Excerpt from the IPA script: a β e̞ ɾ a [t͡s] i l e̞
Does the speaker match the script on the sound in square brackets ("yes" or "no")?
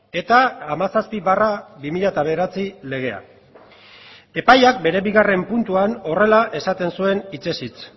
yes